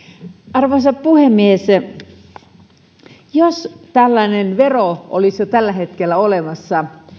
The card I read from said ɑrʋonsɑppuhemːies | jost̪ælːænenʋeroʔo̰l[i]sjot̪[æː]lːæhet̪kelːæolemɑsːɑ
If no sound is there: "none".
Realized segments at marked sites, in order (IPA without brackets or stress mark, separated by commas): i, æ